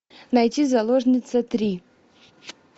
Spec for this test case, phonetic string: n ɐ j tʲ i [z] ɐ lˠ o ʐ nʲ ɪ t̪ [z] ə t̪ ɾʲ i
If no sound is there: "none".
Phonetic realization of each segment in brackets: z, s

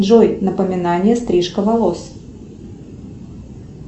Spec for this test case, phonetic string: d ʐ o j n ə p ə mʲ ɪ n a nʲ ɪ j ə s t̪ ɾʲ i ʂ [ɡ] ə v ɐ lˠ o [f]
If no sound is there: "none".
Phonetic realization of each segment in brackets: k, s

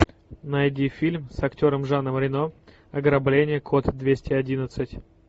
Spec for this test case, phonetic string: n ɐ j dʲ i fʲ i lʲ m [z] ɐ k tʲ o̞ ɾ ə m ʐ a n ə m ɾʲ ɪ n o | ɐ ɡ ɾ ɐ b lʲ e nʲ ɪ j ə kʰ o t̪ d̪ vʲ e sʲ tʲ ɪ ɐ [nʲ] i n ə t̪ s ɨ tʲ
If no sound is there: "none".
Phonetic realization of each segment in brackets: s, dʲ

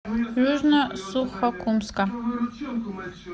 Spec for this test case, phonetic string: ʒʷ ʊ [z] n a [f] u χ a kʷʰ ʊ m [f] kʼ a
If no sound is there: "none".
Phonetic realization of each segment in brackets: ʒ, s, s

